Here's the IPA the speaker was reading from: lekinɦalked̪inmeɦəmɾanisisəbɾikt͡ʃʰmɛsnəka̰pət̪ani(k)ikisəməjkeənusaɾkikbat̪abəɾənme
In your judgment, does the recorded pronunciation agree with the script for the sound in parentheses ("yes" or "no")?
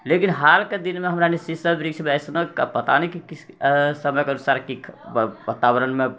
yes